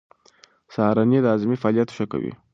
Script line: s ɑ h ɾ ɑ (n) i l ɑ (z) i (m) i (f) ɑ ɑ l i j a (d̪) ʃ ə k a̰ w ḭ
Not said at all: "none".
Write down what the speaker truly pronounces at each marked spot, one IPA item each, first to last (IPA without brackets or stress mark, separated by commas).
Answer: n, z, m, f, t̪